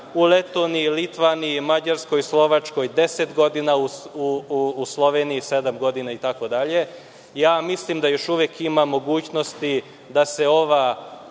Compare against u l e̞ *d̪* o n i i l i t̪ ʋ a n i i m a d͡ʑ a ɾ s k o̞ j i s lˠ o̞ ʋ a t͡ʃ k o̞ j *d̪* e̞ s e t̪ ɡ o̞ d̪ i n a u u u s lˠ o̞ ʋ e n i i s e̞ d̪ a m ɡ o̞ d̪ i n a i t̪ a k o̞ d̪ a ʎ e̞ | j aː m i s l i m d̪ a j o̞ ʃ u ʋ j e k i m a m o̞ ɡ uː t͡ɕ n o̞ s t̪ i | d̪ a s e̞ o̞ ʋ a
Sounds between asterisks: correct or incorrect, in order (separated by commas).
incorrect, correct